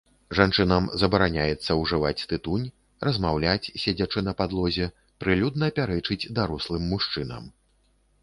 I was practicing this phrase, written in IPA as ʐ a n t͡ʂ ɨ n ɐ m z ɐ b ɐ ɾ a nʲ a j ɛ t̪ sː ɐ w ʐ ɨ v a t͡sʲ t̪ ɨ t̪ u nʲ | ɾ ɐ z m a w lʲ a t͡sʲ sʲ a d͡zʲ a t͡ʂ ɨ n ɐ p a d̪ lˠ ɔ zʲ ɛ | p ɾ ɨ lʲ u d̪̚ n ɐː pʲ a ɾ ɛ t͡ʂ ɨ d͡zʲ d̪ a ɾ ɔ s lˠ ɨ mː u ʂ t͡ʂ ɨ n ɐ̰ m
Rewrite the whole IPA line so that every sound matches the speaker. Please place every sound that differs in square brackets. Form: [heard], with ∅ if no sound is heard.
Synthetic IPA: ʐ a n t͡ʂ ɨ n ɐ m z ɐ b ɐ ɾ a nʲ a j ɛ t̪ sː ɐ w ʐ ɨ v a t͡sʲ t̪ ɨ t̪ u nʲ | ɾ ɐ z m a w lʲ a t͡sʲ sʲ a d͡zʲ a t͡ʂ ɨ n ɐ p a d̪ lˠ ɔ zʲ ɛ | p ɾ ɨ lʲ u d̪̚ n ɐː pʲ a ɾ ɛ t͡ʂ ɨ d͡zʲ d̪ a ɾ ɔ s lˠ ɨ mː u ʂ t͡ʂ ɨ n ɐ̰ m

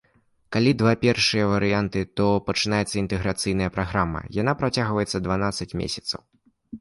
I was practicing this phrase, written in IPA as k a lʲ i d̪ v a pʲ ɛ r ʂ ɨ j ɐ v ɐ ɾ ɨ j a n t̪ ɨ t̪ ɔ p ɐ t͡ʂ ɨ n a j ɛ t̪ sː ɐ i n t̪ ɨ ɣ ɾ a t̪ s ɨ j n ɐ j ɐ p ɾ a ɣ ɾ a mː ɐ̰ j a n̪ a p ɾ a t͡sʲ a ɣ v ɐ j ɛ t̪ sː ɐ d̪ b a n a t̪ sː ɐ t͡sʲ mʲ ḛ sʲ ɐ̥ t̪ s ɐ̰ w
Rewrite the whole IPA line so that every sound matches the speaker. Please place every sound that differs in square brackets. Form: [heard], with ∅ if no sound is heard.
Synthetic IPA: k a lʲ i d̪ v a pʲ ɛ r ʂ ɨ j ɐ v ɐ ɾ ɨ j a n t̪ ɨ t̪ ɔ p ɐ t͡ʂ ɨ n a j ɛ t̪ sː ɐ i n t̪ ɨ ɣ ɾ a t̪ s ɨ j n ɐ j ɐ p ɾ a ɣ ɾ a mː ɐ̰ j a n̪ a p ɾ a t͡sʲ a ɣ v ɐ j ɛ t̪ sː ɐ d̪ [v] a n a t̪ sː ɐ t͡sʲ mʲ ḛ sʲ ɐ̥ t̪ s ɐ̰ w

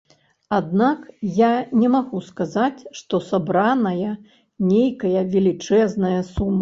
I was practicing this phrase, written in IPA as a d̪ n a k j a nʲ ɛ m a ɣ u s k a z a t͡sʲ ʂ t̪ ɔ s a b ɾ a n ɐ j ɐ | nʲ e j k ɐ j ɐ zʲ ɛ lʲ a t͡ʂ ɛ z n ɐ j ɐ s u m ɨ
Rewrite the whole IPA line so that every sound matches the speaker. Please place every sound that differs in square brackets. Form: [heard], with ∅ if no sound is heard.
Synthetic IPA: a d̪ n a k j a nʲ ɛ m a ɣ u s k a z a t͡sʲ ʂ t̪ ɔ s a b ɾ a n ɐ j ɐ | nʲ e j k ɐ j ɐ [vʲ] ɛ lʲ [i] t͡ʂ ɛ z n ɐ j ɐ s u m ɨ

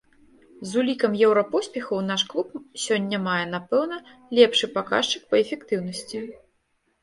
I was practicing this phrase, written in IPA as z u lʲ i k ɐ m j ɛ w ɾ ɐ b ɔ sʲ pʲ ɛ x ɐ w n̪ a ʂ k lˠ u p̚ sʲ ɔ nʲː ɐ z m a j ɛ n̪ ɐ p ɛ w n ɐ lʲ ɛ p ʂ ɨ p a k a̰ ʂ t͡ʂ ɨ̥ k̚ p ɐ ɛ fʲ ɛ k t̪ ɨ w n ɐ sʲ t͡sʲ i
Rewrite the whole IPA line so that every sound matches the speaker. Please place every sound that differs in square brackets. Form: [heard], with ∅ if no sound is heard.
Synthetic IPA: z u lʲ i k ɐ m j ɛ w ɾ ɐ [p] ɔ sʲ pʲ ɛ x ɐ w n̪ a ʂ k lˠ u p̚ sʲ ɔ nʲː ɐ [∅] m a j ɛ n̪ [a] p ɛ w n ɐ lʲ ɛ p ʂ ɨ p a k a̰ ʂ t͡ʂ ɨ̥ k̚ p ɐ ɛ fʲ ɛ k t̪ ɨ w n ɐ sʲ t͡sʲ i

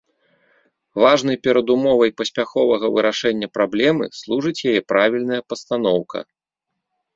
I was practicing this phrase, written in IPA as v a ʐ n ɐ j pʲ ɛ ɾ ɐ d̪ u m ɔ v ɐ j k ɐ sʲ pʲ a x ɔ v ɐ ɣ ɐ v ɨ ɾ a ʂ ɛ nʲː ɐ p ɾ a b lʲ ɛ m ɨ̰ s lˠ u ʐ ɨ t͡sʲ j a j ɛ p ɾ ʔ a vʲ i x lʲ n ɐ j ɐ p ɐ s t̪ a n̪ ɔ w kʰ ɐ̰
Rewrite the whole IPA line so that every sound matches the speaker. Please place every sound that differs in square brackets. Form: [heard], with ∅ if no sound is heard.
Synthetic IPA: v a ʐ n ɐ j pʲ ɛ ɾ ɐ d̪ u m ɔ v ɐ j [p] ɐ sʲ pʲ a x ɔ v ɐ ɣ ɐ v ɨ ɾ a ʂ ɛ nʲː ɐ p ɾ a b lʲ ɛ m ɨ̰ s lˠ u ʐ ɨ t͡sʲ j a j ɛ p ɾ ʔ a vʲ i [∅] lʲ n ɐ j ɐ p ɐ s t̪ a n̪ ɔ w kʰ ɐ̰

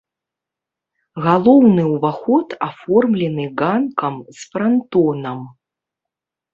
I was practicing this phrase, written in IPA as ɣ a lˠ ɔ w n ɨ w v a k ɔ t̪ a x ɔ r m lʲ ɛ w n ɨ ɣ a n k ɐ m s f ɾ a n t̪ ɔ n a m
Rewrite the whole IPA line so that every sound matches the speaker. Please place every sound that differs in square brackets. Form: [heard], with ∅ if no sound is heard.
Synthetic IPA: ɣ a lˠ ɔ w n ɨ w v a [x] ɔ t̪ a [f] ɔ r m lʲ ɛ [∅] n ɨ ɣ a n k ɐ m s f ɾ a n t̪ ɔ n [ɐ] m

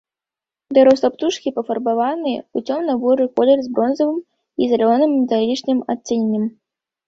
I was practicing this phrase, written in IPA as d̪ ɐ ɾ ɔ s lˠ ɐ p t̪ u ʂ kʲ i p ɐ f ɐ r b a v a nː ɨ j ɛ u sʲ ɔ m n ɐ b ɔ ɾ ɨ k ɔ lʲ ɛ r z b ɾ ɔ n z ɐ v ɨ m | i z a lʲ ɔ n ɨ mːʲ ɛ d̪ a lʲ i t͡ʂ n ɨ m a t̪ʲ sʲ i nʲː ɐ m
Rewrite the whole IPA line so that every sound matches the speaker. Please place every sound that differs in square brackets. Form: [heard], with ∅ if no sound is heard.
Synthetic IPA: d̪ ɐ ɾ ɔ s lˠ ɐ p t̪ u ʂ kʲ i p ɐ f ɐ r b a v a [n] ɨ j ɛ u [t͡sʲ] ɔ m n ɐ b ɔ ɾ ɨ k ɔ lʲ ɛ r z b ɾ ɔ n z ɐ v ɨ m | i z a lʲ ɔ n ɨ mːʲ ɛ [t̪] a lʲ i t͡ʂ n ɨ m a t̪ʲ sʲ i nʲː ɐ m

